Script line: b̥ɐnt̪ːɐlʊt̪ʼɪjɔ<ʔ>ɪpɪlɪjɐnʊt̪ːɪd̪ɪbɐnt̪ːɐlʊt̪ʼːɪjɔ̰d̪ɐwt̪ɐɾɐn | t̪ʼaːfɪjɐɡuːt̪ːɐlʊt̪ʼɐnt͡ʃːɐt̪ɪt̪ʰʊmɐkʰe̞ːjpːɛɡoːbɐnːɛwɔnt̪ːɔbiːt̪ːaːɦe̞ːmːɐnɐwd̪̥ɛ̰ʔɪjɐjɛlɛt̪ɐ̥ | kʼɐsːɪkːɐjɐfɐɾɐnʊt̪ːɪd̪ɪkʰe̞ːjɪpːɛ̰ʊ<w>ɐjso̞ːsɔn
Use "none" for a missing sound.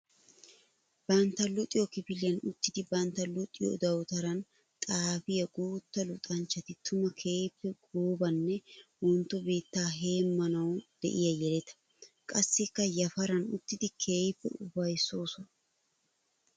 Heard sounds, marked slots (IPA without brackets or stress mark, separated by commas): k, b